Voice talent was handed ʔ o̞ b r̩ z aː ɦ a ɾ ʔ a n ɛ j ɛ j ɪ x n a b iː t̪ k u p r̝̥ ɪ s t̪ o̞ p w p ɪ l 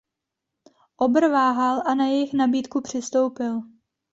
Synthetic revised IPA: ʔ o̞ b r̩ v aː ɦ a l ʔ a n a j ɛ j ɪ x n a b iː t̪ k u p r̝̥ ɪ s t̪ o̞ w p ɪ l